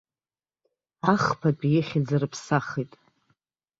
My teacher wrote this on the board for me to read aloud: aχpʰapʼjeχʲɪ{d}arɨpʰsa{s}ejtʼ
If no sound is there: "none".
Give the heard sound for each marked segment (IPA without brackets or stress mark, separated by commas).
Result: d͡z, χ